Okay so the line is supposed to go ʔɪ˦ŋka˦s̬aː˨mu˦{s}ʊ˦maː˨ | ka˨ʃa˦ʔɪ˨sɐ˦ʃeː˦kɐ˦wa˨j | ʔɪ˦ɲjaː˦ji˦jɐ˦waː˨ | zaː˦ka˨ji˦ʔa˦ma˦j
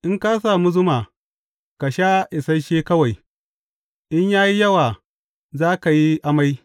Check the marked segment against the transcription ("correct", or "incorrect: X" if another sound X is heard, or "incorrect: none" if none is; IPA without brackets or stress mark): incorrect: z